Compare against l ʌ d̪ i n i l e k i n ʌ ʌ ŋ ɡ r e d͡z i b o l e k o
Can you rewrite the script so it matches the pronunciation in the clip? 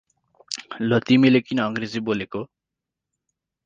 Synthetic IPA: l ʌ t̪ i m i l e k i n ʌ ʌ ŋ ɡ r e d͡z i b o l e k o